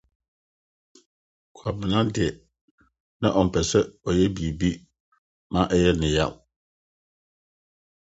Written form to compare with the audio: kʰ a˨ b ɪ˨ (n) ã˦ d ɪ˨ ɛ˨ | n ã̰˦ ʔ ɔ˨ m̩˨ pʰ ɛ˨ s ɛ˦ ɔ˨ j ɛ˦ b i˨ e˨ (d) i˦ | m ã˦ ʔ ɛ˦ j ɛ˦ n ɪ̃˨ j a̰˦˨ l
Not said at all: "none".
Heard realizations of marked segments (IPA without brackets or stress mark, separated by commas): n, b